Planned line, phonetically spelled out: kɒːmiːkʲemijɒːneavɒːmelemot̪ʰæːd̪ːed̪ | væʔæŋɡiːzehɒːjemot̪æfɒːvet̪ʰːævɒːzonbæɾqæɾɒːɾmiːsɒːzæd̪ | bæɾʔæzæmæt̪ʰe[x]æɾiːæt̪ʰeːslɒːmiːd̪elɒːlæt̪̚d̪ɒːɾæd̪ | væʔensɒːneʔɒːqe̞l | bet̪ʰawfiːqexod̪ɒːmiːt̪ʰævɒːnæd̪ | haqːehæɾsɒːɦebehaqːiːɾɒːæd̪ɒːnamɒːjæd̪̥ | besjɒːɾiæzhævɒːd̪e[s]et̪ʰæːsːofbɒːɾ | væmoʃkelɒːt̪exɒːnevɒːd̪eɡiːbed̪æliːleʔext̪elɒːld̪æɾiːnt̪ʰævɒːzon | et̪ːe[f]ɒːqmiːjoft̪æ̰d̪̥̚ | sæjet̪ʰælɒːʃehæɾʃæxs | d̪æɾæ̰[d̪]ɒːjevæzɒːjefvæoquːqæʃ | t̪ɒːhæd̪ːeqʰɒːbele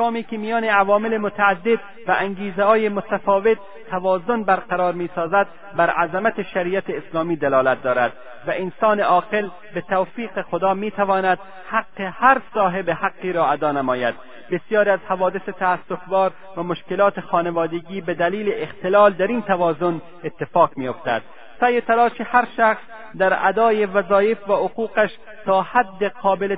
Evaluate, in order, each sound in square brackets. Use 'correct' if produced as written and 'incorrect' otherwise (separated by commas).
incorrect, correct, correct, correct